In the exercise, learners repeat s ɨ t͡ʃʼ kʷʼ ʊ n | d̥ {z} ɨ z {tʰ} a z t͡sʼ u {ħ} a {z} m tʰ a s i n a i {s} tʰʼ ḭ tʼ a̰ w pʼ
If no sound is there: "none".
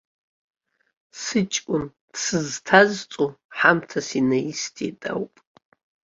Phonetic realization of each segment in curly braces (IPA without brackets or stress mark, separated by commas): s, tʰ, ħ, none, s